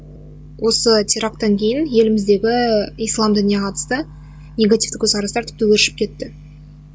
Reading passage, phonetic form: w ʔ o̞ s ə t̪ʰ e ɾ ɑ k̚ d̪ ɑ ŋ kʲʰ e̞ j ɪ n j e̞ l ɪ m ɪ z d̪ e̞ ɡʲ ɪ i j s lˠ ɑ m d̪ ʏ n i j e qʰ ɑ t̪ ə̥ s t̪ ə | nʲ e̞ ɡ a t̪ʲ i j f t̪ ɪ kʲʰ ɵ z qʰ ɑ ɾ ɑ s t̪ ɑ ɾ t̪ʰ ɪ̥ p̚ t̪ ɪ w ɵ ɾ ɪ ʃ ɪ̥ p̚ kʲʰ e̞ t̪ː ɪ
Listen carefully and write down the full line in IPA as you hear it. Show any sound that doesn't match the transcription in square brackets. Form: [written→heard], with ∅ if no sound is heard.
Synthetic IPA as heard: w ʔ o̞ s ə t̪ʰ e ɾ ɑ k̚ [d̪→t̪] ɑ ŋ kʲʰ e̞ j ɪ n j e̞ l ɪ m ɪ z d̪ e̞ ɡʲ ɪ i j s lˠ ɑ m d̪ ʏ n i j e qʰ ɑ t̪ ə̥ s t̪ ə | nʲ e̞ ɡ a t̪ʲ i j f t̪ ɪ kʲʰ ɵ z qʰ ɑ ɾ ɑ s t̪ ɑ ɾ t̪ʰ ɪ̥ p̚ t̪ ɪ w ɵ ɾ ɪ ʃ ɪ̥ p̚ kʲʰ e̞ t̪ː ɪ